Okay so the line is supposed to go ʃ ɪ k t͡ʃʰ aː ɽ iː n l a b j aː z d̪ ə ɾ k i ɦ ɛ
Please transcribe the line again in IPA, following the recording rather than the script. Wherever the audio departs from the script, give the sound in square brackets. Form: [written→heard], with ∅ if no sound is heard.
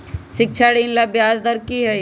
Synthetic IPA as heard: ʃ ɪ k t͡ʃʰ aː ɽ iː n l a b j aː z d̪ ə ɾ k i ɦ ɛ